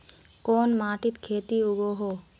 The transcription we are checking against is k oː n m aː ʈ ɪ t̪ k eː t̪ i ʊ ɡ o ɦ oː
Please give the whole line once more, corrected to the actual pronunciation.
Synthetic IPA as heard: k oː n m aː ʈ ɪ t̪ kʰ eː t̪ i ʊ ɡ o ɦ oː

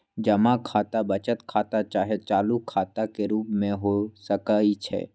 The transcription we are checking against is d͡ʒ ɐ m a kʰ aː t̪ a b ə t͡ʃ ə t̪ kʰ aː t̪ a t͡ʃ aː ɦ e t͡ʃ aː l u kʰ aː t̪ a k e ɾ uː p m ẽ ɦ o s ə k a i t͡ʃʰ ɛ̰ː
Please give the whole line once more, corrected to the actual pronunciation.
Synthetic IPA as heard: d͡ʒ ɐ m a kʰ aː t̪ a b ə t͡ʃ ə t̪ kʰ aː t̪ a t͡ʃ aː ɦ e t͡ʃ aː l u kʰ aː t̪ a k e ɾ uː p m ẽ ɦ o s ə k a i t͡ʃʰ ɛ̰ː

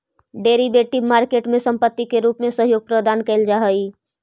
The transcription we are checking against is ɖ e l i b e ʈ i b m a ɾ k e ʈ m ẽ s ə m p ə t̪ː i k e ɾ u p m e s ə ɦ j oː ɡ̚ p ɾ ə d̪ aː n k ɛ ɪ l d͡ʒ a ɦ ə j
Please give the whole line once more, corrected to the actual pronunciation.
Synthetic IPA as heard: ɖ e ɾ i b e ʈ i b m a ɾ k e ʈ m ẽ s ə m p ə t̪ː i k e ɾ u p m e s ə ɦ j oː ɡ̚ p ɾ ə d̪ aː n k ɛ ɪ l d͡ʒ a ɦ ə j

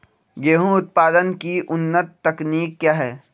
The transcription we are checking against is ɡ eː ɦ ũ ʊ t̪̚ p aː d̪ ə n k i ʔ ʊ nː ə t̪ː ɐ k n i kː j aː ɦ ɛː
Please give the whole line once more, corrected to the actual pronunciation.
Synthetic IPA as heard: ɡ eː ɦ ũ ʊ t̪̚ p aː d̪ ə n k i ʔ ʊ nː ə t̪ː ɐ k n iː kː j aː ɦ ɛː

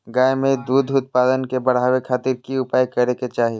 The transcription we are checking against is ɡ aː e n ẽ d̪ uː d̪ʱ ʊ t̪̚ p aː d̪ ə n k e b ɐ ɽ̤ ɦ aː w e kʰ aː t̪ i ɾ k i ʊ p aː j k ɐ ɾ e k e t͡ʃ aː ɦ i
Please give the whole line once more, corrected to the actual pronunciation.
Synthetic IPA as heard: ɡ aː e m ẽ d̪ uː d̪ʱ ʊ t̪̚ p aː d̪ ə n k e b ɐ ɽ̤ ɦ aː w e kʰ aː t̪ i ɾ k i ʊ p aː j k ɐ ɾ e k e t͡ʃ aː ɦ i

